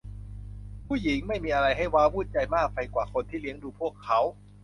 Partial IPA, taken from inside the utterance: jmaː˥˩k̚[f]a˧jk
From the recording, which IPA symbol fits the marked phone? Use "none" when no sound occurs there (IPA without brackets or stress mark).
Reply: f